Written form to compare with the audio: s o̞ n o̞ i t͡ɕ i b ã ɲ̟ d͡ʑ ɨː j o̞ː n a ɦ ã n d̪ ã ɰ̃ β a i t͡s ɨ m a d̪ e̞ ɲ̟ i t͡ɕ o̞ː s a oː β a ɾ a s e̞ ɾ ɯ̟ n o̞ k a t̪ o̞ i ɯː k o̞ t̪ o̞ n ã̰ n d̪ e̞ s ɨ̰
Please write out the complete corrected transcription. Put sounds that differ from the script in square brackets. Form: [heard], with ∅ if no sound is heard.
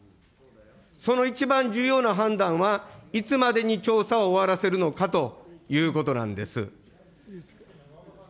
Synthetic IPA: s o̞ n o̞ i t͡ɕ i b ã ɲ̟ d͡ʑ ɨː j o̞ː n a ɦ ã n d̪ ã ɰ̃ β a i t͡s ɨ m a d̪ e̞ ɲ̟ i t͡ɕ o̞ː s a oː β a ɾ a s e̞ ɾ ɯ̟ n o̞ k a t̪ o̞ [j] ɯː k o̞ t̪ o̞ n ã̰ n d̪ e̞ s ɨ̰